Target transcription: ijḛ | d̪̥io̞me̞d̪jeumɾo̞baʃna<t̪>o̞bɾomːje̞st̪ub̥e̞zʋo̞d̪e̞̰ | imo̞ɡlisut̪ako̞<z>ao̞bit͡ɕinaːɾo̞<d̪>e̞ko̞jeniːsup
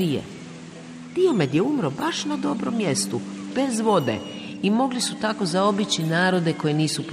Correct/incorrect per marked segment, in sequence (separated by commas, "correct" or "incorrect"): incorrect, correct, correct